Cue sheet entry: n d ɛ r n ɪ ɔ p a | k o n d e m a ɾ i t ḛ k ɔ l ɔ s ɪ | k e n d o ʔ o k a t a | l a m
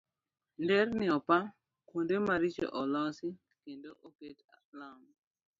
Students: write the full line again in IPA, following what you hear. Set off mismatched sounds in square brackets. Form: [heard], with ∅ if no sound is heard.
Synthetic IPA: n d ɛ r n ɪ ɔ p a | k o n d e m a ɾ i [t͡ʃ] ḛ [ʔ] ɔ l ɔ s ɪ | k e n d o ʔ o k [e] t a | l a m